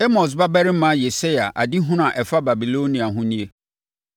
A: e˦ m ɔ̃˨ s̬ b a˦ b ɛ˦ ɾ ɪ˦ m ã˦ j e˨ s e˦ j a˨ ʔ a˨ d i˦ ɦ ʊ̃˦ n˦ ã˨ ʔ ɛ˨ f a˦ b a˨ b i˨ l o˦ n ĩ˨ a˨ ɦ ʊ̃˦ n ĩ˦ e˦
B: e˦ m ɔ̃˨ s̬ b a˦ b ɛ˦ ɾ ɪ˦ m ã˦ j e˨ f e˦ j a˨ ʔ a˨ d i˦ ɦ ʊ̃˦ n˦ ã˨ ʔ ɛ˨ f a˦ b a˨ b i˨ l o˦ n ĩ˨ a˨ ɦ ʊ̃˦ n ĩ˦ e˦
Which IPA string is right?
A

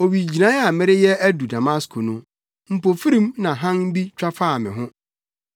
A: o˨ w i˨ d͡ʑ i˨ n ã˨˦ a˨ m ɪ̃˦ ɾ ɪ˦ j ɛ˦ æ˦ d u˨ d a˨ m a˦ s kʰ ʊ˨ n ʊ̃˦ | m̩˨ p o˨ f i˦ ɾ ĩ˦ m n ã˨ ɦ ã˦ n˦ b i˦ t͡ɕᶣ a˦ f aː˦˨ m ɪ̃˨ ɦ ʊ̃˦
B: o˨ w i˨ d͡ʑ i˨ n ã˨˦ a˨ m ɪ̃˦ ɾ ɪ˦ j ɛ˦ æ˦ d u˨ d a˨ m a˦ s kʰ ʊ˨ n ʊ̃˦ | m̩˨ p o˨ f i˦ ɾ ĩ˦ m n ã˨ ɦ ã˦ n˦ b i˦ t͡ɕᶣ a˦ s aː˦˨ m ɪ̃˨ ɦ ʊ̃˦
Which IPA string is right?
A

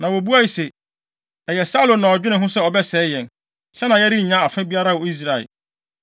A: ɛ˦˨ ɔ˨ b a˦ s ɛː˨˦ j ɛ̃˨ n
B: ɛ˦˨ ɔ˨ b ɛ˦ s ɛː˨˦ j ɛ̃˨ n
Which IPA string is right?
B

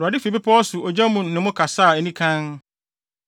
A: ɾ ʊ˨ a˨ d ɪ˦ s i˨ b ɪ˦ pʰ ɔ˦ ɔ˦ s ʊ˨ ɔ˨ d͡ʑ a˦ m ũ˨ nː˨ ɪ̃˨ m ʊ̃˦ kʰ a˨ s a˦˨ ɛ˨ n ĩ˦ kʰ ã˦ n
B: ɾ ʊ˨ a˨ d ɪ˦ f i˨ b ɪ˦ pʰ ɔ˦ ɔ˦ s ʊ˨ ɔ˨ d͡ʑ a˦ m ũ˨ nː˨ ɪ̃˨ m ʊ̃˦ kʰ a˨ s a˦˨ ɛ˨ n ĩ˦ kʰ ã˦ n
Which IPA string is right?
B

